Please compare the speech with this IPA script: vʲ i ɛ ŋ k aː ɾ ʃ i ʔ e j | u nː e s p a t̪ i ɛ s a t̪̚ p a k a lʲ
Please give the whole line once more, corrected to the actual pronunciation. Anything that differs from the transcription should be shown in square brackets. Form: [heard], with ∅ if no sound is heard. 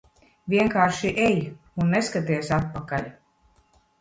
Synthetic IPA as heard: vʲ i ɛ ŋ k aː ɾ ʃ i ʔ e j | u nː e s [k] a t̪ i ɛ s a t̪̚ p a k a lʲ